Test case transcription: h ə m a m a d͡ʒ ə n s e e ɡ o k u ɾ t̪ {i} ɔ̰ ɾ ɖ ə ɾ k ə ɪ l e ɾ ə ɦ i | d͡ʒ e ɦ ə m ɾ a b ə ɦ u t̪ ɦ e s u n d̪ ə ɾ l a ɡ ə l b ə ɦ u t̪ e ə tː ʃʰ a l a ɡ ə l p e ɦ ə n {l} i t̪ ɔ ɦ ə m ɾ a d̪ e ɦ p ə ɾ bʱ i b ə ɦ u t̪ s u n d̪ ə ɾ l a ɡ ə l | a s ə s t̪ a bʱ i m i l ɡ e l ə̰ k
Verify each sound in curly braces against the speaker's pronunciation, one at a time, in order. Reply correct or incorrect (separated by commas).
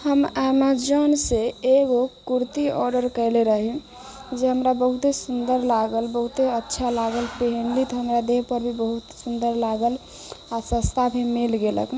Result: correct, correct